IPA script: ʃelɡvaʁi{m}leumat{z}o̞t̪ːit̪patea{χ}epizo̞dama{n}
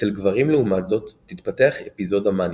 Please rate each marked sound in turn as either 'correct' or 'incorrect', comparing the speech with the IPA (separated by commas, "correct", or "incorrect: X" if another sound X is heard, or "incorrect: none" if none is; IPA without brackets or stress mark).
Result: correct, correct, correct, correct